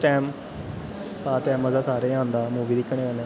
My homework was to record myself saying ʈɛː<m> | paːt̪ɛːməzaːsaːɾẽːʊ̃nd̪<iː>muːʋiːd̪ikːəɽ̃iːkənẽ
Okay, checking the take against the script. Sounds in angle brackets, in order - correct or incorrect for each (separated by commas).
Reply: correct, incorrect